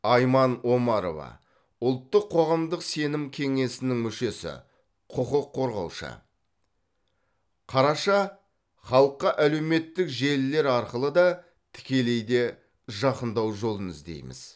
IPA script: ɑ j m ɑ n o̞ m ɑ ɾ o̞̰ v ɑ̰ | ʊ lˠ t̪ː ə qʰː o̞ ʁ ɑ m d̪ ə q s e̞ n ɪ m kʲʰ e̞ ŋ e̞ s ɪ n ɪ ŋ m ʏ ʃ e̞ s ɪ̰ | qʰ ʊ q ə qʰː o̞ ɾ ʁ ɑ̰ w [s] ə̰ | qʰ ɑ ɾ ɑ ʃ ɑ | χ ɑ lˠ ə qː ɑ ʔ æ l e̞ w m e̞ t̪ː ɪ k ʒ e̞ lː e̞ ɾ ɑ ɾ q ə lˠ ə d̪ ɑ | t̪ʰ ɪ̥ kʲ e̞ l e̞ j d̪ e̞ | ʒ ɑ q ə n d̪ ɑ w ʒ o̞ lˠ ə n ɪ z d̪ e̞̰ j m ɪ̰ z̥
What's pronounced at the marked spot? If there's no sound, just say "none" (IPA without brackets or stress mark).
ʃ